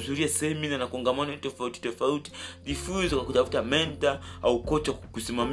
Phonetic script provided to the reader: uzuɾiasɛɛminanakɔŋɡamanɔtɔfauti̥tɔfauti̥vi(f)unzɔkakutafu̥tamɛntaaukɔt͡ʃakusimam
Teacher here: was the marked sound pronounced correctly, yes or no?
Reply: yes